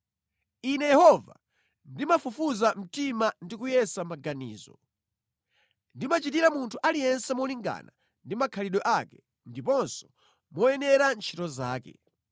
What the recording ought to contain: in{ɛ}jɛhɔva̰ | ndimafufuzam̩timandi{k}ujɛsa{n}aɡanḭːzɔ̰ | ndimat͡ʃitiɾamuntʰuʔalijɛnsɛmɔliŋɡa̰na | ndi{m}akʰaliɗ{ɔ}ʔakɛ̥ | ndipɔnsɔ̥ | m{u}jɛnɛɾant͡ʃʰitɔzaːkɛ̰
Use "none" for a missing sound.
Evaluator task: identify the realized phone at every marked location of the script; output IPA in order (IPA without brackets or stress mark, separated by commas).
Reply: ɛ, k, m, m, ɔ, ɔ